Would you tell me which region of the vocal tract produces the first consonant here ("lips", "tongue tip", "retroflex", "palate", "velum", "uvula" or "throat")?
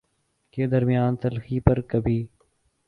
velum